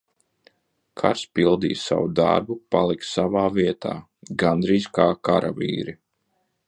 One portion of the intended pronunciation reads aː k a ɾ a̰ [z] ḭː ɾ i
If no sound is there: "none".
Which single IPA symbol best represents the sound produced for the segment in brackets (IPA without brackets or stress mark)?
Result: v